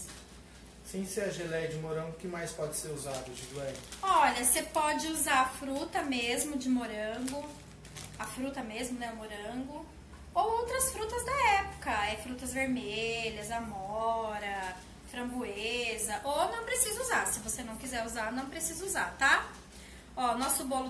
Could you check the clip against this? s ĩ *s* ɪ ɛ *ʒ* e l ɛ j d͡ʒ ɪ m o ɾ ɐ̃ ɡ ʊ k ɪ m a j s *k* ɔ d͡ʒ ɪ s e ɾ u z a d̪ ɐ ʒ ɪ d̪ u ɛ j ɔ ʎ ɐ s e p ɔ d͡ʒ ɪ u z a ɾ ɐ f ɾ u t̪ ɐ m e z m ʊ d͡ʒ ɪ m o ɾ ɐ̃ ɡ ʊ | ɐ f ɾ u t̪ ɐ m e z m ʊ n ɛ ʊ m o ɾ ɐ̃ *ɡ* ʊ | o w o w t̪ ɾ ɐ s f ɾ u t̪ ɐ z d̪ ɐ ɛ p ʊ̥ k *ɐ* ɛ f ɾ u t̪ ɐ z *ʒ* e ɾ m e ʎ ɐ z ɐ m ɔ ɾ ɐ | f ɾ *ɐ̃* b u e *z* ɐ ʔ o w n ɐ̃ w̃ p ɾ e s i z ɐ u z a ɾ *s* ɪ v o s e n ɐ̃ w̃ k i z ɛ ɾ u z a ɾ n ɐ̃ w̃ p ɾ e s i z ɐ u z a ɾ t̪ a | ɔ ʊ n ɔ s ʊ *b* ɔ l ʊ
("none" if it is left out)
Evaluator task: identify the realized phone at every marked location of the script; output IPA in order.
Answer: s, ʒ, p, ɡ, ɐ, v, ɐ̃, z, s, b

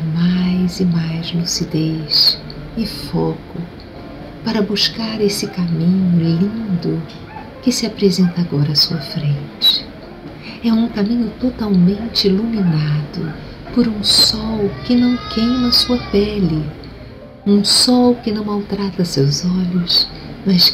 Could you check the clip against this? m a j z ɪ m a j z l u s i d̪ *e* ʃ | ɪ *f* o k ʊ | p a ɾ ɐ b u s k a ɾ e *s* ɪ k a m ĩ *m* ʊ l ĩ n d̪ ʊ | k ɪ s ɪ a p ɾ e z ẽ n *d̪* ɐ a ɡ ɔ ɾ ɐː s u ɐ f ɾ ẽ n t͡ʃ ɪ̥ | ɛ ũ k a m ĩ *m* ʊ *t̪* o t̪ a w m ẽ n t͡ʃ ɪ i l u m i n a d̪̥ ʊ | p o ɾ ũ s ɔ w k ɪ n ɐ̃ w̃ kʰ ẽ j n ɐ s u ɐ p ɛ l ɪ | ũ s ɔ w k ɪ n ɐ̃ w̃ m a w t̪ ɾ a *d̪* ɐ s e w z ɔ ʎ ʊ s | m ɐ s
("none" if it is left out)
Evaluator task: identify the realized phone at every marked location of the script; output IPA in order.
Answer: e, f, s, ɲ, t̪, ɲ, t̪, t̪

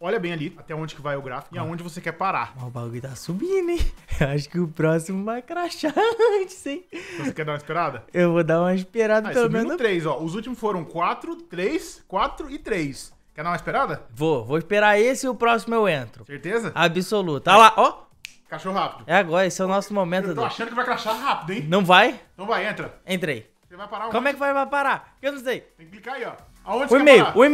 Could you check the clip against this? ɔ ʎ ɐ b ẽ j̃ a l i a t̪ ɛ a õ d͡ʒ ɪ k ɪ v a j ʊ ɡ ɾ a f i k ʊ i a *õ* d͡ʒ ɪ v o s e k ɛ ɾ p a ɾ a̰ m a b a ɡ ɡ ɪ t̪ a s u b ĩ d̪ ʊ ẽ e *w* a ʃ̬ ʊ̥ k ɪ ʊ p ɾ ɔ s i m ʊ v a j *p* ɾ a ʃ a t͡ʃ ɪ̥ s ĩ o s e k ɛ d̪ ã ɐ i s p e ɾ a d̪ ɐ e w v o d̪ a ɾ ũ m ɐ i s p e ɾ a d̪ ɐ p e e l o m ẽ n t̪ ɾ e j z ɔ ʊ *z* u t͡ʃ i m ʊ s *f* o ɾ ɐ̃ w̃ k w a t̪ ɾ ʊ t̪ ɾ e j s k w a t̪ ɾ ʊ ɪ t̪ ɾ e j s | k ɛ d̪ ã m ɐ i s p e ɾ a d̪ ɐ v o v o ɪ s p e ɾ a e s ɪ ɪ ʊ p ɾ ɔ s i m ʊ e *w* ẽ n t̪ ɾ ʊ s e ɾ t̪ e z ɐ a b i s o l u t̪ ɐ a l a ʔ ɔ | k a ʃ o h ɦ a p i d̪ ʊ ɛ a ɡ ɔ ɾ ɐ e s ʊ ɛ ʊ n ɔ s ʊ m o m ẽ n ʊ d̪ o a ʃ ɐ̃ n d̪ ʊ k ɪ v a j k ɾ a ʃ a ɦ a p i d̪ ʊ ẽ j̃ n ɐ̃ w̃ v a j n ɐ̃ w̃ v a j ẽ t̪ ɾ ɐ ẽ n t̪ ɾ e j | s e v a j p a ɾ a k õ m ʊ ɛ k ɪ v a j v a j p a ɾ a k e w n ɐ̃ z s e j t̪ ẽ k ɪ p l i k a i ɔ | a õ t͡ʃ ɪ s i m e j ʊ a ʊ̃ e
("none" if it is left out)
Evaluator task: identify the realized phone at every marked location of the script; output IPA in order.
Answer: õ, w, k, z, f, w

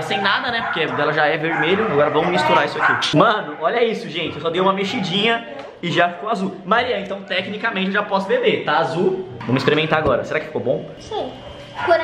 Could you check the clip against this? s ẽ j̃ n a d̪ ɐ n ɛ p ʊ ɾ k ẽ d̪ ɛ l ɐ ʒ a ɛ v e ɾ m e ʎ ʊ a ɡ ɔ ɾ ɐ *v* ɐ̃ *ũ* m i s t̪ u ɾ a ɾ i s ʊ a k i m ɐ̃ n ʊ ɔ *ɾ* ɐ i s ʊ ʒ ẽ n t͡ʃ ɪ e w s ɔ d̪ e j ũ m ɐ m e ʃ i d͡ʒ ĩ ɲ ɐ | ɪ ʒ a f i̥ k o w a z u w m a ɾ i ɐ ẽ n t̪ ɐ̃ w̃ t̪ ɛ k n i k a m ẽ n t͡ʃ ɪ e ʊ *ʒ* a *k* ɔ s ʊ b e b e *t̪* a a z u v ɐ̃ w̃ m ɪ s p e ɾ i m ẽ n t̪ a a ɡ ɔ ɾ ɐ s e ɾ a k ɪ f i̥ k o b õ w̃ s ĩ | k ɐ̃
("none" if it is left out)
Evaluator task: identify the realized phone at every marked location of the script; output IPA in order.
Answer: v, w̃, ʎ, ʒ, p, t̪

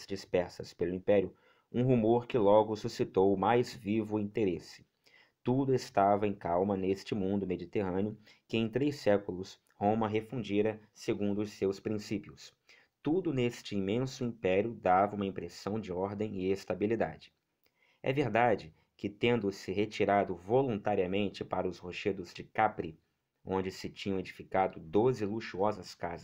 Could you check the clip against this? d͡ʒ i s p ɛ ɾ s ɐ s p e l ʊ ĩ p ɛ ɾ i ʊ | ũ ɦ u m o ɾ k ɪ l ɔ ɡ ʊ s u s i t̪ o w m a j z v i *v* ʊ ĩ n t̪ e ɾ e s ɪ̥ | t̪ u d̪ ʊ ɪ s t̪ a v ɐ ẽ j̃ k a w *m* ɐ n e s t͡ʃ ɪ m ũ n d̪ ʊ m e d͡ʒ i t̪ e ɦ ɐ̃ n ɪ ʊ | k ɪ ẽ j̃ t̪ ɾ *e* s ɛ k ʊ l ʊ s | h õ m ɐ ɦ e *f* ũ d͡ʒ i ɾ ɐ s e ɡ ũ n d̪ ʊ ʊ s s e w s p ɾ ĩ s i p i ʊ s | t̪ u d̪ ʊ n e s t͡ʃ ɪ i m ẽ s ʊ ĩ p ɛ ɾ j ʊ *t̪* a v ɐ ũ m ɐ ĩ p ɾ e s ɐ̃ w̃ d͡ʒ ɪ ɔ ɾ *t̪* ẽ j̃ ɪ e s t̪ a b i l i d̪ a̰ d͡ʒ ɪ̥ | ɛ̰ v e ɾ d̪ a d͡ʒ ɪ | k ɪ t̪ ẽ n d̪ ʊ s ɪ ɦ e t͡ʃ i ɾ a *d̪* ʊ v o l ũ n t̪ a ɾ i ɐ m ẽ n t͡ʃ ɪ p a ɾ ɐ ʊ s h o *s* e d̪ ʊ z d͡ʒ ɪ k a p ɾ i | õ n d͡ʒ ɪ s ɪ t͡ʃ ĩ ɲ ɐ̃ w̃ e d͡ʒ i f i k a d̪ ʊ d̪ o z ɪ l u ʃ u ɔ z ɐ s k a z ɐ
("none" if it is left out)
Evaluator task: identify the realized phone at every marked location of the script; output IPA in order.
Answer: v, m, e, f, d̪, d̪, d̪, ʃ

